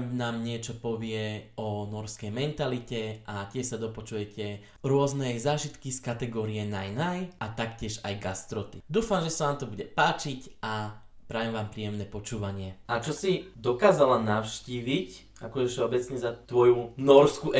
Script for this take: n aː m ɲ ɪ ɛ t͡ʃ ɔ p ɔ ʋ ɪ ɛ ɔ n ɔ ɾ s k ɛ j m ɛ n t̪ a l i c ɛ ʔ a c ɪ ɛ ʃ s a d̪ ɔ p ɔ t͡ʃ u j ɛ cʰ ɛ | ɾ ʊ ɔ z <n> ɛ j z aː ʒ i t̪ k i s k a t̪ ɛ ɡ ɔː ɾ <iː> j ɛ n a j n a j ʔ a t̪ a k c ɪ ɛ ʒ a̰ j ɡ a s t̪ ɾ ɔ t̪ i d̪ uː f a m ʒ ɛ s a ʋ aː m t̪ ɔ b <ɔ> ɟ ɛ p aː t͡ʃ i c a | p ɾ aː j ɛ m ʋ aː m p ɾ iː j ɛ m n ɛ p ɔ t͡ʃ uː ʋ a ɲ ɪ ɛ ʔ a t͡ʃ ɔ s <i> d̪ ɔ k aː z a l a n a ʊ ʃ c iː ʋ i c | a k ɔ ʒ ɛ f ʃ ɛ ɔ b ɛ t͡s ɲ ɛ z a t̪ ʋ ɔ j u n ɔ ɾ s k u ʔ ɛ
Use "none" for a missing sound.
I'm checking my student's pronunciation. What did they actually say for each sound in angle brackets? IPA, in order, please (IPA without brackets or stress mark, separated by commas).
n, i, u, i